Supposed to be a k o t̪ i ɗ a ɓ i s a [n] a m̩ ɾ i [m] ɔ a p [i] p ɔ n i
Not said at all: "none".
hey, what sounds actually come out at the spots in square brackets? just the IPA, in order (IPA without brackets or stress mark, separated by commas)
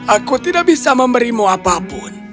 m, m, a